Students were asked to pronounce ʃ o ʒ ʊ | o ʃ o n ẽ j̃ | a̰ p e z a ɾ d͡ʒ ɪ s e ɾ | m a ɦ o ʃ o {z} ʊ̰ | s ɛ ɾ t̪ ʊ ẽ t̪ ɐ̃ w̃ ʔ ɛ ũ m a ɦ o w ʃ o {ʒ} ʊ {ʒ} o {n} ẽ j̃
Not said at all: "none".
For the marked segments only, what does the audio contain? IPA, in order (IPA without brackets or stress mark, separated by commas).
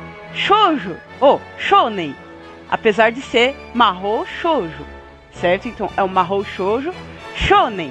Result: ʒ, ʒ, ʃ, n